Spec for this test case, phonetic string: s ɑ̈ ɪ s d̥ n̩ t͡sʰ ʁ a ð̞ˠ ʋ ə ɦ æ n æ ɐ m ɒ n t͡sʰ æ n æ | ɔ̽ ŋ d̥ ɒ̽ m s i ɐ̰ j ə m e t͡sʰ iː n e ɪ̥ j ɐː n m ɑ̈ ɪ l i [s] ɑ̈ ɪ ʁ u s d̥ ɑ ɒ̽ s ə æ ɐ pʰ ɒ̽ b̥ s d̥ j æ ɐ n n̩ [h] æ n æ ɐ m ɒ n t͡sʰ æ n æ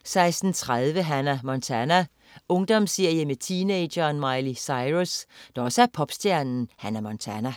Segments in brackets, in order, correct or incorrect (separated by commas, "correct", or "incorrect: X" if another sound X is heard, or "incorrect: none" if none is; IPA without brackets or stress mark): correct, correct